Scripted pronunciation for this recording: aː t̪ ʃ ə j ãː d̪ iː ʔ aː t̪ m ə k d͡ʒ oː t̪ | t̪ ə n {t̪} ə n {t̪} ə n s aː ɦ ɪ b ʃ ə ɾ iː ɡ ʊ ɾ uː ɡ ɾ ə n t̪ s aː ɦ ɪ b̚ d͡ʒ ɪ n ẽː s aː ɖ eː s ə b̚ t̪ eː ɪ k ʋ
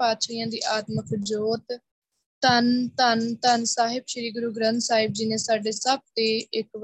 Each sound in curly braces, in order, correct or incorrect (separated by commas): correct, correct